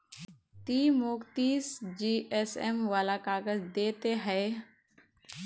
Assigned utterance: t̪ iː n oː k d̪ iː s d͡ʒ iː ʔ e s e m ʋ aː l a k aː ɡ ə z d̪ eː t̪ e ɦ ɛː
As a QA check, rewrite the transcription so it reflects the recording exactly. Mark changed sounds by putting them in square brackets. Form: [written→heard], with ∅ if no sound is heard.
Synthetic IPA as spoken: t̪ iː [n→m] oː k [d̪→t̪] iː s d͡ʒ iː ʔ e s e m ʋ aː l a k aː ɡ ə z d̪ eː t̪ e ɦ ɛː